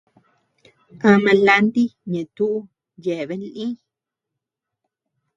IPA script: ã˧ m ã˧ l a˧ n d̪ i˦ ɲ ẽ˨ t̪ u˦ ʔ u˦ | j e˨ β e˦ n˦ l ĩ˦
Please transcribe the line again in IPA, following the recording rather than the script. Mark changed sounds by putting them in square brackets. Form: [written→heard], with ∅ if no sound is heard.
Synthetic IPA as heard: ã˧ m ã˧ l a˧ n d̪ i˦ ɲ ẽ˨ t̪ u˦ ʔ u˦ | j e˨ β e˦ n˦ l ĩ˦